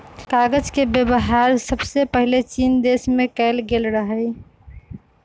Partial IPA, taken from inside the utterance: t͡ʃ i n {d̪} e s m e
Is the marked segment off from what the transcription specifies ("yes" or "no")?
no